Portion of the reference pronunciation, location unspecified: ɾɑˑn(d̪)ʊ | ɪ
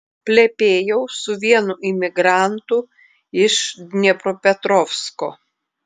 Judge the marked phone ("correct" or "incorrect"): incorrect